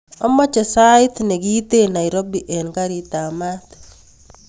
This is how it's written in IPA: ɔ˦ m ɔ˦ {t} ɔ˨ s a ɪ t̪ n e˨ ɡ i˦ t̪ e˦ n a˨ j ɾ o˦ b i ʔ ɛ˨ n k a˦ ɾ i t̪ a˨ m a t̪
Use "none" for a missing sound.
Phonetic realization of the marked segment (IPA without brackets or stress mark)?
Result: t͡ʃ